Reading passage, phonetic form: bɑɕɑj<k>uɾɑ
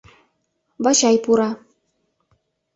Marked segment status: incorrect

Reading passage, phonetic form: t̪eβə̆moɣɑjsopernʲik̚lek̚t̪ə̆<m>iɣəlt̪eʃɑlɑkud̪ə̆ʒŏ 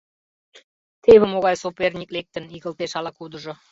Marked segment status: incorrect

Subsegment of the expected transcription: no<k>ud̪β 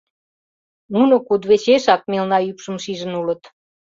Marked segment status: correct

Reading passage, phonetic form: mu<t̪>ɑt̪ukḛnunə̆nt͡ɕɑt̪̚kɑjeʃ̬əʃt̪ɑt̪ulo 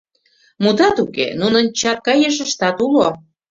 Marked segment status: incorrect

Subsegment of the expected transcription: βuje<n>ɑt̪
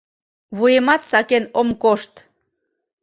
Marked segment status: incorrect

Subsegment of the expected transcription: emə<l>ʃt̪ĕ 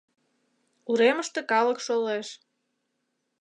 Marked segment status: incorrect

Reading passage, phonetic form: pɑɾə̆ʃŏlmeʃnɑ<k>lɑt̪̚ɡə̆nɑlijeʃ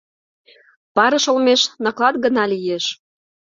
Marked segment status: correct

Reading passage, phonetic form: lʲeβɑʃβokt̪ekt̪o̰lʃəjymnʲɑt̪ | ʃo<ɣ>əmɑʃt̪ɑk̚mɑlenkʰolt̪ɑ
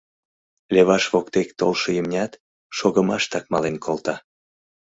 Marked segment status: correct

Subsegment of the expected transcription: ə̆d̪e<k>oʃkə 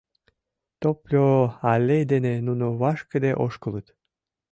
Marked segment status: incorrect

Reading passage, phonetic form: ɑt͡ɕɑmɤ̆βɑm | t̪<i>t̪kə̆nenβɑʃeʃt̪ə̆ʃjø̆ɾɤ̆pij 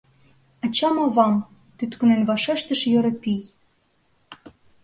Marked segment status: incorrect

